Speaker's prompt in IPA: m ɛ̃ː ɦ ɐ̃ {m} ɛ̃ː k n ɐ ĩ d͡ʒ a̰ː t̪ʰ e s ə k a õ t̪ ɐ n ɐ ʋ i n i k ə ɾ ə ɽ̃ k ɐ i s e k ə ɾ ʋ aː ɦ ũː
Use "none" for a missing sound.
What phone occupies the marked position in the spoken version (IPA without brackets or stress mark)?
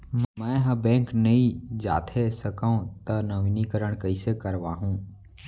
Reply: b